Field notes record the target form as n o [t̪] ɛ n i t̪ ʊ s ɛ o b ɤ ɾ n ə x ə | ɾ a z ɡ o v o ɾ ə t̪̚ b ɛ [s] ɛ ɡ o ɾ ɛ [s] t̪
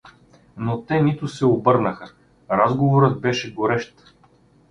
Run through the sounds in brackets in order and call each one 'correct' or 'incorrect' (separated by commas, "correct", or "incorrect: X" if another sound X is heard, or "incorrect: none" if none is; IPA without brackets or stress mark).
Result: correct, incorrect: ʃ, incorrect: ʃ